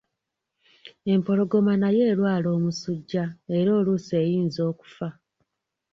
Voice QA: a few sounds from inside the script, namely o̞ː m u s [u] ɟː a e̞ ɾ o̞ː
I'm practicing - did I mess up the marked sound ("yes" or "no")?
no